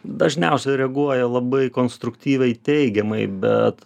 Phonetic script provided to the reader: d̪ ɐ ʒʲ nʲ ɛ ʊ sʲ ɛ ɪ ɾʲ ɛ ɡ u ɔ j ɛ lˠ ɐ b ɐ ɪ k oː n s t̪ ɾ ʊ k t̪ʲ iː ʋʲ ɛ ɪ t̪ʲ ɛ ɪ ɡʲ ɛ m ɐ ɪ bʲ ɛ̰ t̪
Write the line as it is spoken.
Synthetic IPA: d̪ ɐ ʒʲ nʲ ɛ ʊ sʲ ɛ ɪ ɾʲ ɛ ɡ u ɔ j ɛ lˠ ɐ b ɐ ɪ k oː n s t̪ ɾ ʊ k t̪ʲ iː ʋʲ ɛ ɪ t̪ʲ ɛ ɪ ɡʲ ɛ m ɐ ɪ bʲ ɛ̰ t̪